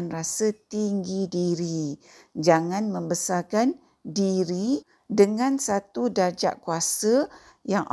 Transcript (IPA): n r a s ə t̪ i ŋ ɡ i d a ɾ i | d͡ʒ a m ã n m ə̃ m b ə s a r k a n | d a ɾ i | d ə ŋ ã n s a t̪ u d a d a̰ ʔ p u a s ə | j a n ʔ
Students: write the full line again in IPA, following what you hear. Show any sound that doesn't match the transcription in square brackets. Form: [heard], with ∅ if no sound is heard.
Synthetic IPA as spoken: n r a s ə t̪ i ŋ ɡ i d [i] ɾ i | d͡ʒ a [ŋ] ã n m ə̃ m b ə s a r k a n | d [i] ɾ i | d ə ŋ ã n s a t̪ u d a [d͡ʒ] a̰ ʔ [k] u a s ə | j a [ŋ] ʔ